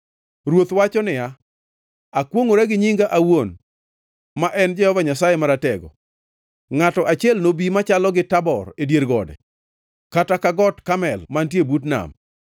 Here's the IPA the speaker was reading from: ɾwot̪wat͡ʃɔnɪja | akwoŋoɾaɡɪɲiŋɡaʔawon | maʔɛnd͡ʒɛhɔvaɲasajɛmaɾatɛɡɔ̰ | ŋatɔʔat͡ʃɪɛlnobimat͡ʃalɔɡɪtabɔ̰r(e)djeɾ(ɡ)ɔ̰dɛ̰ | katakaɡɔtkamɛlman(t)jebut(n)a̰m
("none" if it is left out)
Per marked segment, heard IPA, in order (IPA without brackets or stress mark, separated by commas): e, ɡ, t, n